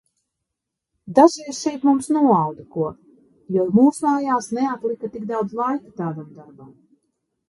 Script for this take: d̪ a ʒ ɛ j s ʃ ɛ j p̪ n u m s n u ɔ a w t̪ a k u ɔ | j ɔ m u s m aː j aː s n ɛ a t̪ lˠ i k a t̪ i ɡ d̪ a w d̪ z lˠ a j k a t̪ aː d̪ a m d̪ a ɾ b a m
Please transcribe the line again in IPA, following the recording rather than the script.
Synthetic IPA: d̪ a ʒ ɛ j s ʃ ɛ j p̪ m u m s n u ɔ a w d̪ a k u ɔ | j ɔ m uː s m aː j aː s n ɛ a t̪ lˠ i k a t̪ i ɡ d̪ a w d̪ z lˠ a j k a t̪ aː d̪ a m d̪ a ɾ b a m